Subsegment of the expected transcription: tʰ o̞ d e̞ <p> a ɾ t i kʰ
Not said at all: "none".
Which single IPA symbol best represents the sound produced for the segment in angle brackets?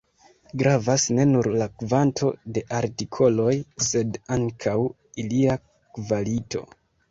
ʔ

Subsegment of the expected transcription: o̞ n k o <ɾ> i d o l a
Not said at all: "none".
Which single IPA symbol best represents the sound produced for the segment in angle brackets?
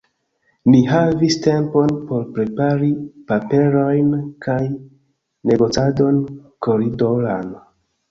ɾ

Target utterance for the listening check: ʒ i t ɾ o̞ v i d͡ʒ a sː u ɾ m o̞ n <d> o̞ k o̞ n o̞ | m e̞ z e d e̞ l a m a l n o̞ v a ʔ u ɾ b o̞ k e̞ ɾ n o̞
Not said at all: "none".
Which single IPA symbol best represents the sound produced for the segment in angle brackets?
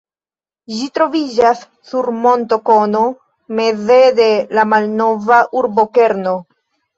t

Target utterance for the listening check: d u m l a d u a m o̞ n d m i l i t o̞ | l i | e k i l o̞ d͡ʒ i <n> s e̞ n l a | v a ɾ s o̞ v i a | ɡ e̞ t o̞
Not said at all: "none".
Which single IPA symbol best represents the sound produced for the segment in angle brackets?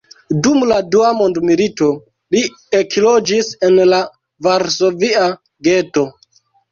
none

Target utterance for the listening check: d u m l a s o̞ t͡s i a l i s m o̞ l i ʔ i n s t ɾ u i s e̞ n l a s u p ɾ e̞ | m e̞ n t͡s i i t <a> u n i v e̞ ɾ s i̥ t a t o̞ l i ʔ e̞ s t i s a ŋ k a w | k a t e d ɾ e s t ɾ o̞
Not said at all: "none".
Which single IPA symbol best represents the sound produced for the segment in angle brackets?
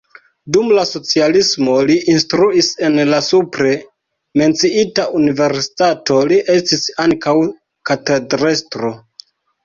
a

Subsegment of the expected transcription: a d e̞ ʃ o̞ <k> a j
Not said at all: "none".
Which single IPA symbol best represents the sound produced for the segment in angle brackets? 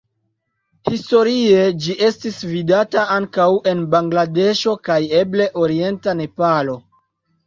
k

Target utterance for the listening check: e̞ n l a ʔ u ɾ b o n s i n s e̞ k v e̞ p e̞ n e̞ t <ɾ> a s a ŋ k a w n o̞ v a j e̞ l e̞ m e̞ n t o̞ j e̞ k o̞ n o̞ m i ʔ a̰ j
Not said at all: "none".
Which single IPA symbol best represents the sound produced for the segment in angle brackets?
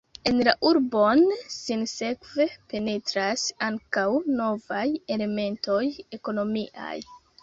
ɾ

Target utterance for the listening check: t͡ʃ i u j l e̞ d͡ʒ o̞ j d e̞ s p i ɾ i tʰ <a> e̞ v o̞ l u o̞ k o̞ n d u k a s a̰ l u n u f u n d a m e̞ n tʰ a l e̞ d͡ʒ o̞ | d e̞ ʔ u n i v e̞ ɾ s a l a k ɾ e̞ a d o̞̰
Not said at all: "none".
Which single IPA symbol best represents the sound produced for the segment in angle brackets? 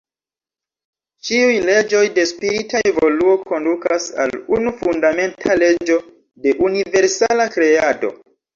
a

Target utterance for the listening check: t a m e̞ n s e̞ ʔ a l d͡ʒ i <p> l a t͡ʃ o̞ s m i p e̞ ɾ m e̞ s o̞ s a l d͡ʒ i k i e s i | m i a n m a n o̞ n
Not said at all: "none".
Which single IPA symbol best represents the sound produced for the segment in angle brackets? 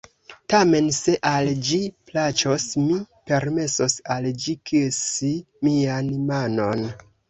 p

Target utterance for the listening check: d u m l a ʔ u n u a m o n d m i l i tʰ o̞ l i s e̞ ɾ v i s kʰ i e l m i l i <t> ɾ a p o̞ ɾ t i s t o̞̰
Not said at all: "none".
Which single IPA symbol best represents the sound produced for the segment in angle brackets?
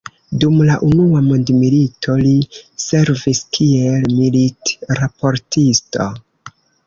t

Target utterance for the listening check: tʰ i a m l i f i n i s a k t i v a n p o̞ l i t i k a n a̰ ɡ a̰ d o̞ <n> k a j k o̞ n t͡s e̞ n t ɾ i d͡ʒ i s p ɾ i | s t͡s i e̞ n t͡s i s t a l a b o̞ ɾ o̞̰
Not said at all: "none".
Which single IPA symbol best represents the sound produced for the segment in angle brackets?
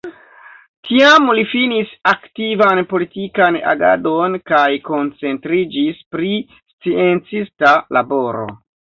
n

